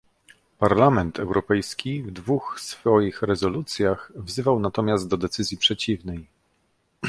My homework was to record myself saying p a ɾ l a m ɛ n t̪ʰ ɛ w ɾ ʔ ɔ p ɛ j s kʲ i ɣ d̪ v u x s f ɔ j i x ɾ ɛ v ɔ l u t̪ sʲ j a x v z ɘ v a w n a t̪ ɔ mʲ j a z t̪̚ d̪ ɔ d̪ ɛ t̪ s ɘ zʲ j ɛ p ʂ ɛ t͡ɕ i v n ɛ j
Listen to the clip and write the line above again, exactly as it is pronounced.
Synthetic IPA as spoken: p a ɾ l a m ɛ n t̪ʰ ɛ w ɾ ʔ ɔ p ɛ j s kʲ i v d̪ v u x s f ɔ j i x ɾ ɛ z ɔ l u t̪ sʲ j a x v z ɘ v a w n a t̪ ɔ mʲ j a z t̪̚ d̪ ɔ d̪ ɛ t̪ s ɘ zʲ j i p ʂ ɛ t͡ɕ i v n ɛ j

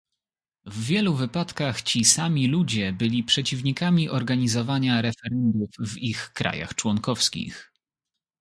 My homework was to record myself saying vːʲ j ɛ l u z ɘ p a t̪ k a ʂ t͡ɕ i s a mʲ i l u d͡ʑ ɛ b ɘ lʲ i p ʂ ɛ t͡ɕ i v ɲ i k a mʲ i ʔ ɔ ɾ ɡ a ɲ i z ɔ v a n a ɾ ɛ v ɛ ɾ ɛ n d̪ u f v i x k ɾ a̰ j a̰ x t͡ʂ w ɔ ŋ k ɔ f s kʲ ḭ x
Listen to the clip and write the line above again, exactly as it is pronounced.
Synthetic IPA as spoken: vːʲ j ɛ l u v ɘ p a t̪ k a x t͡ɕ i s a mʲ i l u d͡ʑ ɛ b ɘ lʲ i p ʂ ɛ t͡ɕ i v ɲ i k a mʲ i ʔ ɔ ɾ ɡ a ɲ i z ɔ v a ɲ a ɾ ɛ f ɛ ɾ ɛ n d̪ u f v i x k ɾ a̰ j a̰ x t͡ʂ w ɔ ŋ k ɔ f s kʲ ḭ x

